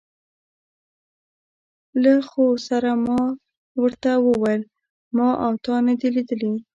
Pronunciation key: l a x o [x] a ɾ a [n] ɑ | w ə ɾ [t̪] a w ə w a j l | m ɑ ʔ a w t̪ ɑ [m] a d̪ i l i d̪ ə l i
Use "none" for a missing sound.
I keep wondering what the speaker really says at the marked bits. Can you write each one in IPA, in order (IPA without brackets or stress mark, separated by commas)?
s, m, t̪, n